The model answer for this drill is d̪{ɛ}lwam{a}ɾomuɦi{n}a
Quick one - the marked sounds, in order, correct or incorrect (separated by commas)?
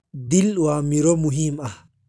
incorrect, incorrect, incorrect